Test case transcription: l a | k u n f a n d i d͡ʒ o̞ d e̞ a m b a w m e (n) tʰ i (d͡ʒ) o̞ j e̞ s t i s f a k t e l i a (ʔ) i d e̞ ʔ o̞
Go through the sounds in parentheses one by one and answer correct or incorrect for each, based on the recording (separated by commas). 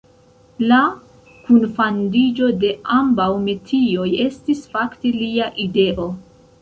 incorrect, incorrect, correct